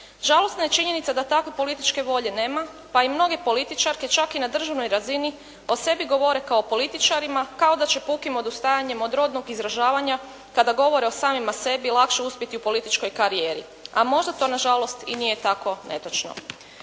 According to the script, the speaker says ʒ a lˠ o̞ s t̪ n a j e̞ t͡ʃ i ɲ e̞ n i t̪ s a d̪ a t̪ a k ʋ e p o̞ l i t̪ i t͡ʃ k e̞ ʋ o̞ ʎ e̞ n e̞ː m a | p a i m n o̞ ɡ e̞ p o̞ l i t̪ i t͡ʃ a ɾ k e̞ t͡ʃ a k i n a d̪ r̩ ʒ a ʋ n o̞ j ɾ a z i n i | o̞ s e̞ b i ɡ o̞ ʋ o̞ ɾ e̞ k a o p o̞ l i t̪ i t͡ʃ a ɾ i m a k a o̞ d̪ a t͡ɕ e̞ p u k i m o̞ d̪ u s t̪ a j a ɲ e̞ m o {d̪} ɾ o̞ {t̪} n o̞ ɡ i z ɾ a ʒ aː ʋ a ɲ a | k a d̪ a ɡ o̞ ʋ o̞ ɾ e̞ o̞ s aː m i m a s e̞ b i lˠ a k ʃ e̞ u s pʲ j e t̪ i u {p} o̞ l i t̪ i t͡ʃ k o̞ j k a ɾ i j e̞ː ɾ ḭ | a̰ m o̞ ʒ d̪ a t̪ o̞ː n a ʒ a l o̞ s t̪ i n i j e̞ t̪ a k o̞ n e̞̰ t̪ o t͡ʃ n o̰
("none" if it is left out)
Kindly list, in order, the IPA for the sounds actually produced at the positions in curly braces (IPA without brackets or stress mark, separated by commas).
d̪, d̪, p